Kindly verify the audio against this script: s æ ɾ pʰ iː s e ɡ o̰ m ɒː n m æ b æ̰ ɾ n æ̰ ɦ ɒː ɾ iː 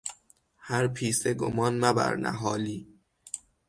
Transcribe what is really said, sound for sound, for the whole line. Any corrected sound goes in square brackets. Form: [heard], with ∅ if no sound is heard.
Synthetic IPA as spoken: [h] æ ɾ pʰ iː s e ɡ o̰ m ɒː n m æ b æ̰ ɾ n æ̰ ɦ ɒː [l] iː